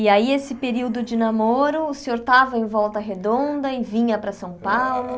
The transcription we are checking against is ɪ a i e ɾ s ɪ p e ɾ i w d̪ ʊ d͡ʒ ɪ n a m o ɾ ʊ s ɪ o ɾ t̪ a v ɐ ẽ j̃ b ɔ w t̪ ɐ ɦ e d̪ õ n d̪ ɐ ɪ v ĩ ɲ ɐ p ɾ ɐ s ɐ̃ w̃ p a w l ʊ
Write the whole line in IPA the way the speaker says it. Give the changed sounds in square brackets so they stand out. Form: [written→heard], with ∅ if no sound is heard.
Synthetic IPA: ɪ a i e [ɾ→∅] s ɪ p e ɾ i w d̪ ʊ d͡ʒ ɪ n a m o ɾ ʊ s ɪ o ɾ t̪ a v ɐ ẽ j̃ [b→v] ɔ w t̪ ɐ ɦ e d̪ õ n d̪ ɐ ɪ v ĩ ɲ ɐ p ɾ ɐ s ɐ̃ w̃ p a w l ʊ